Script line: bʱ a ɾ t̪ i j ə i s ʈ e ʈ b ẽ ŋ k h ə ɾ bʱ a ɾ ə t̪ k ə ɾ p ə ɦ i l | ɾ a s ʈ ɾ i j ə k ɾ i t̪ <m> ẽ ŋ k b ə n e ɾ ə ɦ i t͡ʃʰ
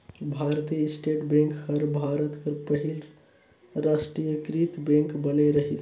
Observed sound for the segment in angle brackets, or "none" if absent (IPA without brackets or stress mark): b